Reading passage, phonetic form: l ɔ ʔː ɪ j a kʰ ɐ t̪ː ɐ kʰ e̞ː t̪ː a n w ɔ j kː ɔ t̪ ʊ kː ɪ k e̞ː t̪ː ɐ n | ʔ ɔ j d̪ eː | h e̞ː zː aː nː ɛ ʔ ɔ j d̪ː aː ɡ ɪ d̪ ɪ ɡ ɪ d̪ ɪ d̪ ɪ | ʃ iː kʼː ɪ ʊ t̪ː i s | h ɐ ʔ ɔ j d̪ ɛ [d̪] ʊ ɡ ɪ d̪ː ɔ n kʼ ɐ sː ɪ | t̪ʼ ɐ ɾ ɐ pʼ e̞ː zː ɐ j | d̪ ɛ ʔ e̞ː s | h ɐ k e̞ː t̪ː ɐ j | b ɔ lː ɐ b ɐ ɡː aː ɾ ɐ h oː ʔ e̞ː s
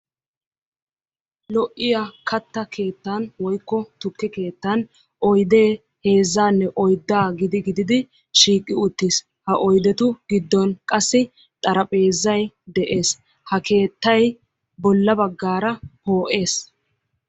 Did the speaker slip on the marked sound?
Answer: yes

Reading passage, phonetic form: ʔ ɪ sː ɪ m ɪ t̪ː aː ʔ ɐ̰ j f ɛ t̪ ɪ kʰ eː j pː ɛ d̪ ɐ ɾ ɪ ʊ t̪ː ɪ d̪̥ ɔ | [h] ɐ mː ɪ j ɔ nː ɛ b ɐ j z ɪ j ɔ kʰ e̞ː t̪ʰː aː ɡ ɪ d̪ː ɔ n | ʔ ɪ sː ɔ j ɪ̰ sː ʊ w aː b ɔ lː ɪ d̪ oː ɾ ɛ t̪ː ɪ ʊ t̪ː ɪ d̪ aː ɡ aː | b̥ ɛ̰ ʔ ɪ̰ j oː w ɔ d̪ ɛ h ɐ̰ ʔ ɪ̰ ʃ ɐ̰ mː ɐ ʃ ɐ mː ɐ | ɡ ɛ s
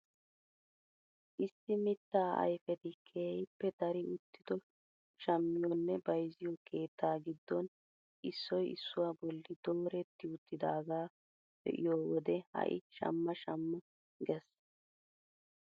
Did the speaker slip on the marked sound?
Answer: yes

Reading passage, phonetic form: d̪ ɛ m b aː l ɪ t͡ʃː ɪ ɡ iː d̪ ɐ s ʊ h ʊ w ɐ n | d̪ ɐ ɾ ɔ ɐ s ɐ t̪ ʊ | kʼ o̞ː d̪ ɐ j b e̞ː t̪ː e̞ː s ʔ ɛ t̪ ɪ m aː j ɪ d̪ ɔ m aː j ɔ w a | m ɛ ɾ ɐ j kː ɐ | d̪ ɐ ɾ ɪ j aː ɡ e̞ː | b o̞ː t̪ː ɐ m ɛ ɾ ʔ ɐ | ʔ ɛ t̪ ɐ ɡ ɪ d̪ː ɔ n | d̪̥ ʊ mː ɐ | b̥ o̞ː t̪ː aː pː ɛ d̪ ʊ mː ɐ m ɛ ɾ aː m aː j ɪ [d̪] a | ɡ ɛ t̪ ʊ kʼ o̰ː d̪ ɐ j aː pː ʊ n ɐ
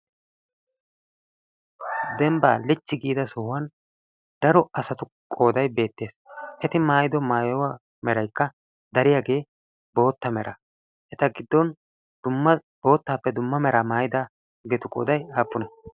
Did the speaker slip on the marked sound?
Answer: no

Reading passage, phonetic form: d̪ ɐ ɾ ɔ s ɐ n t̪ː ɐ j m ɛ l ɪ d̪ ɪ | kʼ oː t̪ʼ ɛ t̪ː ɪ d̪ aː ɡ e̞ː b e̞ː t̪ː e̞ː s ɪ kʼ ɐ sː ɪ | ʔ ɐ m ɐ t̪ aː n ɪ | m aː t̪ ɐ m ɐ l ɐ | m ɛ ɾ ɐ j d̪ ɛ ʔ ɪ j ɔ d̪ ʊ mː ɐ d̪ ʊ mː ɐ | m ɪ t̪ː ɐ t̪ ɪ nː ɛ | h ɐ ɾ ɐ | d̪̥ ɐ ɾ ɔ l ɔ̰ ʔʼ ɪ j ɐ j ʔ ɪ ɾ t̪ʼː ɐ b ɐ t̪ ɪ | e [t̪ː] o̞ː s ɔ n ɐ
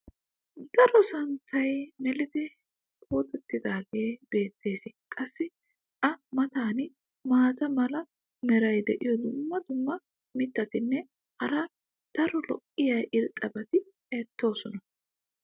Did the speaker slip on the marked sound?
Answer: no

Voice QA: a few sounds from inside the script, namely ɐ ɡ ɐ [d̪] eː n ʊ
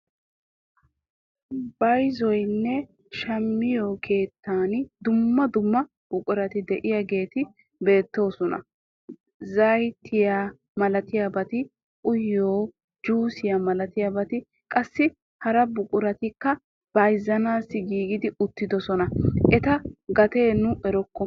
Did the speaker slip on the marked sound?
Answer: yes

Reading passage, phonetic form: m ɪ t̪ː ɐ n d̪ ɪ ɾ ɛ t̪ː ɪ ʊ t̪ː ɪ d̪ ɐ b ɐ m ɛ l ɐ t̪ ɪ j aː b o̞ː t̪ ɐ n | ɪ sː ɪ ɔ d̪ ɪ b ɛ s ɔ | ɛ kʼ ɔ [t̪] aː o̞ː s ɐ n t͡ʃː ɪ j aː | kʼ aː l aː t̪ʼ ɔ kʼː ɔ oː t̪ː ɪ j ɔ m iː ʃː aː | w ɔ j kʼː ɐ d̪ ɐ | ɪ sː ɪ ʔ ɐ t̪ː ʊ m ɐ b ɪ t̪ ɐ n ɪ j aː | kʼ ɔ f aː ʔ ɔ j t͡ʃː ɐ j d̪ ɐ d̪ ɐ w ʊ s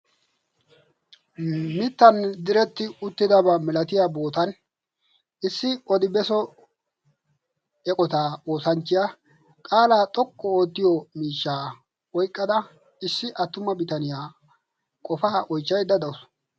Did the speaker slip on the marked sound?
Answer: no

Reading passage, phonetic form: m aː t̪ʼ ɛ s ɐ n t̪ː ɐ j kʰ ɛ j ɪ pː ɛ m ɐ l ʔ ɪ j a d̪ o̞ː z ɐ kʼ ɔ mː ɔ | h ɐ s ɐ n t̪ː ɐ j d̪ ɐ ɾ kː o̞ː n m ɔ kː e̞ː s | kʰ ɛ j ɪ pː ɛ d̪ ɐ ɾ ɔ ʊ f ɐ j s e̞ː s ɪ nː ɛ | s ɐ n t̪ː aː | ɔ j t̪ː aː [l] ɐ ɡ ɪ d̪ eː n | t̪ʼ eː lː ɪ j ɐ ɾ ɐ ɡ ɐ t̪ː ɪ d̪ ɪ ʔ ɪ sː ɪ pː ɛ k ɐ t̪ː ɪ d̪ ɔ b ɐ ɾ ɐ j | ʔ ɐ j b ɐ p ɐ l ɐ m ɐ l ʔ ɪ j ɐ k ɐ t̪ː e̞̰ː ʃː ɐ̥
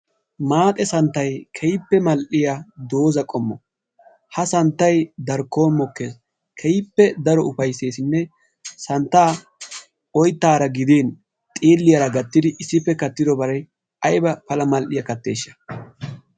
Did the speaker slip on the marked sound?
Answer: yes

